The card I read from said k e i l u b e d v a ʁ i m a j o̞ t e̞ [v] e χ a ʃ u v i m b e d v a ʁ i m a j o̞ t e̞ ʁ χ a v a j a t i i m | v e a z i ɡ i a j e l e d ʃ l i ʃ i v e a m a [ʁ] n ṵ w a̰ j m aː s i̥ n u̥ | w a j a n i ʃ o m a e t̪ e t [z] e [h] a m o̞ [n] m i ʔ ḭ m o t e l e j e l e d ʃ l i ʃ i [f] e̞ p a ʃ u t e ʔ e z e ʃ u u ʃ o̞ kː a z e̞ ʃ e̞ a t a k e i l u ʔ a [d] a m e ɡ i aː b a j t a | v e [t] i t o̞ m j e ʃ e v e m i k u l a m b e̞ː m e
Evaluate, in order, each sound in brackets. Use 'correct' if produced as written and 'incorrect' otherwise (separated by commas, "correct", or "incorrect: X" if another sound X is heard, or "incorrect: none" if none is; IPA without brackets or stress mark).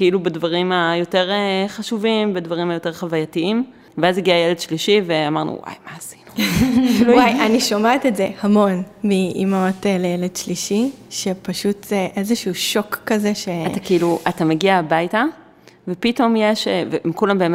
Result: incorrect: ʁ, correct, correct, correct, correct, incorrect: ʃ, incorrect: t, incorrect: p